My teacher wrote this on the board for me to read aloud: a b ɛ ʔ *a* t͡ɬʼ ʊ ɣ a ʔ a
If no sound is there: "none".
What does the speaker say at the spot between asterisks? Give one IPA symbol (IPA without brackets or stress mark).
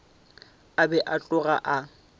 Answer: a